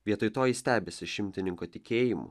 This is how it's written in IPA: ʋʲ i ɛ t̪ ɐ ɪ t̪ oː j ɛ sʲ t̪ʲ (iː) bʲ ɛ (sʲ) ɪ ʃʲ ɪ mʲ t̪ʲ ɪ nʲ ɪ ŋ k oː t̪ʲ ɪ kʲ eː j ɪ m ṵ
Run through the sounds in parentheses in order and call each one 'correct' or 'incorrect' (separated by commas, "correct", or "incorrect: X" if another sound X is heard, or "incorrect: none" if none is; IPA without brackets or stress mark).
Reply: incorrect: æː, correct